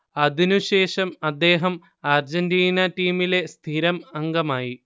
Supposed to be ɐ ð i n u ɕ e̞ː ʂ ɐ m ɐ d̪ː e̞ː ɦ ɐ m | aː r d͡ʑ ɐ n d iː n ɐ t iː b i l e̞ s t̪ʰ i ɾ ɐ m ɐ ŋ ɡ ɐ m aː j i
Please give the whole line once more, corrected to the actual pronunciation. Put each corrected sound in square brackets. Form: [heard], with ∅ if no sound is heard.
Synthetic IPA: ɐ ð i n u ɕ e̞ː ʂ ɐ m ɐ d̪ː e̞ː ɦ ɐ m | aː r d͡ʑ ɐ n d iː n ɐ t iː [m] i l e̞ s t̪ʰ i ɾ ɐ m ɐ ŋ ɡ ɐ m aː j i